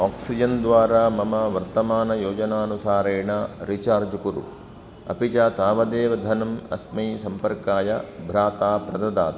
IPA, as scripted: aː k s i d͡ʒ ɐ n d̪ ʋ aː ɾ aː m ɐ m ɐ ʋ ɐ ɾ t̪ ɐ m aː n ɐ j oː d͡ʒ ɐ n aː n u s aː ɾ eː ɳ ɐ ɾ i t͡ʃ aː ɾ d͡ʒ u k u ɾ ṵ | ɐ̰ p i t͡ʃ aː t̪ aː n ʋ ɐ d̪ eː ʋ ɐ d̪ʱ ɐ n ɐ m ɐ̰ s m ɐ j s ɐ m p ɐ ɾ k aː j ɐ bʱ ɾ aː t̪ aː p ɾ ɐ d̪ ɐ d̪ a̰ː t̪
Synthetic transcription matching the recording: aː k s i d͡ʒ ɐ n d̪ ʋ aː ɾ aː m ɐ m ɐ ʋ ɐ ɾ t̪ ɐ m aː n ɐ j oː d͡ʒ ɐ n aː n u s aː ɾ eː ɳ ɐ ɾ i t͡ʃ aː ɾ d͡ʒ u k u ɾ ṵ | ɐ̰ p i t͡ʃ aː t̪ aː ʋ ɐ d̪ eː ʋ ɐ d̪ʱ ɐ n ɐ m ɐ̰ s m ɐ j s ɐ m p ɐ ɾ k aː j ɐ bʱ ɾ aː t̪ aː p ɾ ɐ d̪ ɐ d̪ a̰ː t̪